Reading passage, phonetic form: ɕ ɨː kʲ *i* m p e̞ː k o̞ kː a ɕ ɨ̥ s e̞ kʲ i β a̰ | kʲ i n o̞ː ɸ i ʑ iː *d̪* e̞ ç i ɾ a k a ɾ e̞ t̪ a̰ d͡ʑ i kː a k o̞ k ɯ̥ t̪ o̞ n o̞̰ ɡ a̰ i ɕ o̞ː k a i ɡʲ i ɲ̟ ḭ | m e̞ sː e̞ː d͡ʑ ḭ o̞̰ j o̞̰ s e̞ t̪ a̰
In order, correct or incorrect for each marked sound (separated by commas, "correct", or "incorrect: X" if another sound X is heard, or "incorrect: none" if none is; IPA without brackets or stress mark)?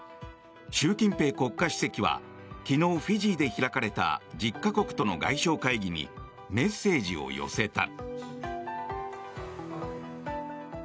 incorrect: ĩ, correct